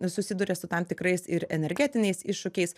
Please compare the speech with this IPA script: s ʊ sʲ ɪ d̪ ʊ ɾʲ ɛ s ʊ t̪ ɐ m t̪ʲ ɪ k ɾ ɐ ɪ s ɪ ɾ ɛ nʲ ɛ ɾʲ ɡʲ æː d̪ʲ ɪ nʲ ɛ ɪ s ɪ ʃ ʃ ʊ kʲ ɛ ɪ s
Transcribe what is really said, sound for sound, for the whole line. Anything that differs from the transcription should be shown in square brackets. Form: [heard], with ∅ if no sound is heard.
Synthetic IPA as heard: s ʊ sʲ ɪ d̪ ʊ ɾʲ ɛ s ʊ t̪ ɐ m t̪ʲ ɪ k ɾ ɐ ɪ s ɪ ɾ ɛ nʲ ɛ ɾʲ ɡʲ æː [t̪ʲ] ɪ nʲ ɛ ɪ s ɪ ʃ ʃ ʊ kʲ ɛ ɪ s